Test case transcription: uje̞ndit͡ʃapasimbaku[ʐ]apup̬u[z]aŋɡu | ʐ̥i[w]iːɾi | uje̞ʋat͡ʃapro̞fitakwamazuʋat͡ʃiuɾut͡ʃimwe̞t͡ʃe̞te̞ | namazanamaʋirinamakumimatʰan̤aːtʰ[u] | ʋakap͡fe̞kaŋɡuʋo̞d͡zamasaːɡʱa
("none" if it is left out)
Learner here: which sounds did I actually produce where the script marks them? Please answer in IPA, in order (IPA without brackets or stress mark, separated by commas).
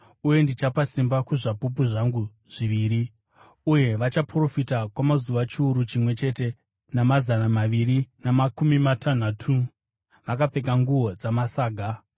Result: ʐ, ʐ, ʋ, u